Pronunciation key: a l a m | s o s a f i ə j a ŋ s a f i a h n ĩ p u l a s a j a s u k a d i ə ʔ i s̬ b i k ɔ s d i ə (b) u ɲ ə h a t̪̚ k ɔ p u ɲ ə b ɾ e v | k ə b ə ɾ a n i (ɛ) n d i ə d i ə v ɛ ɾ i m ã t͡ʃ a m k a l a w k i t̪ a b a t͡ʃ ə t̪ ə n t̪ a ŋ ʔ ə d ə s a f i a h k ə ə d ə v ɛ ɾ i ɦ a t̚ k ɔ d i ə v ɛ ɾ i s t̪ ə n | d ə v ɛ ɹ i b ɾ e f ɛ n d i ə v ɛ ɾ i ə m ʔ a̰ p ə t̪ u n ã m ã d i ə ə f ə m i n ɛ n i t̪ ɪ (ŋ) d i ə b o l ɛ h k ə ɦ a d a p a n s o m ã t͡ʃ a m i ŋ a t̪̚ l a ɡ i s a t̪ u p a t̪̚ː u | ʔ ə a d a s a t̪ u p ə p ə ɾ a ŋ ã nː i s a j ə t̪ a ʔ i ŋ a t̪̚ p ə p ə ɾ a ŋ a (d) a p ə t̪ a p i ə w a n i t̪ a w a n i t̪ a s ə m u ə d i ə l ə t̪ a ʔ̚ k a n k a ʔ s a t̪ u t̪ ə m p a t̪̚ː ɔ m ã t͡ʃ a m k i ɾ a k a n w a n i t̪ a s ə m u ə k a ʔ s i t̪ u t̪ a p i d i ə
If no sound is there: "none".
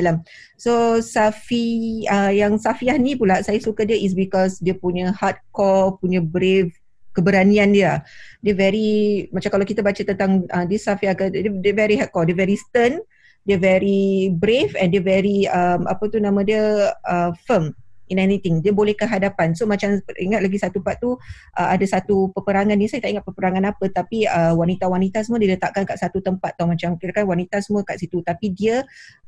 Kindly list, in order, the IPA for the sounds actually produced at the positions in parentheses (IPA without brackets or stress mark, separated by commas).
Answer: p, a, ŋ, n